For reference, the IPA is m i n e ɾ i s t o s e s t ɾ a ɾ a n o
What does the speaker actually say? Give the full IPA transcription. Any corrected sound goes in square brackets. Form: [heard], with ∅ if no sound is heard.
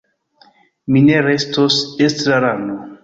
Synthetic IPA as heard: m i n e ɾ [e] s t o s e s t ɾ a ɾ a n o